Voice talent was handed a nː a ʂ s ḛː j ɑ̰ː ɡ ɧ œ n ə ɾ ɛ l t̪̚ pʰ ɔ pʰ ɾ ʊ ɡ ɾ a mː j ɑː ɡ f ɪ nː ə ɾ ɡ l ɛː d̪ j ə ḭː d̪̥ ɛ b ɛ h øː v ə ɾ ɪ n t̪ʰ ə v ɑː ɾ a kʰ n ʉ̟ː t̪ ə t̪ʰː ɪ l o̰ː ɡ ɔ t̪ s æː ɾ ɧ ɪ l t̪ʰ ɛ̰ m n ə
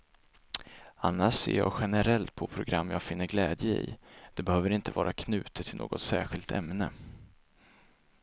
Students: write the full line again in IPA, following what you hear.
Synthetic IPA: a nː a ʂ s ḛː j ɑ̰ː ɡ ɧ ɛ n ə ɾ ɛ l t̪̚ pʰ ɔ pʰ ɾ ʊ ɡ ɾ a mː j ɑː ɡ f ɪ nː ə ɾ ɡ l ɛː d̪ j ə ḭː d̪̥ ɛ b ɛ h øː v ə ɾ ɪ n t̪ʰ ə v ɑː ɾ a kʰ n ʉ̟ː t̪ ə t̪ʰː ɪ l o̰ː ɡ ɔ t̪ s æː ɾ ɧ ɪ l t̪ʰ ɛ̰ m n ə